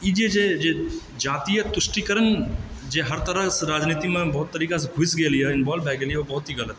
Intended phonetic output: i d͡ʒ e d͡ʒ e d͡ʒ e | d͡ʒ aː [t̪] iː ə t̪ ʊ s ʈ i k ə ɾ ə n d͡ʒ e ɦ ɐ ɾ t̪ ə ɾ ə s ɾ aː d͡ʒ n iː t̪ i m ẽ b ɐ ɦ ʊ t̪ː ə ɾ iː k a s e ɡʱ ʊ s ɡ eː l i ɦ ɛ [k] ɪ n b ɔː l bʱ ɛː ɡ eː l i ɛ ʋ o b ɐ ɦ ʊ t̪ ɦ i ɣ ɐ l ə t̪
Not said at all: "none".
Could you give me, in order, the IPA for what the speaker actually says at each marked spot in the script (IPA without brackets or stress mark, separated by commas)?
t̪, none